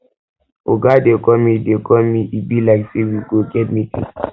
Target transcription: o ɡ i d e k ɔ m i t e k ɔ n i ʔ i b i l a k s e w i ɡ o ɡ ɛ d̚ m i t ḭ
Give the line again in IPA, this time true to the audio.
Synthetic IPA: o ɡ a d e k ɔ m i d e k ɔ m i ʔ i b i l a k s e w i ɡ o ɡ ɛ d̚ m i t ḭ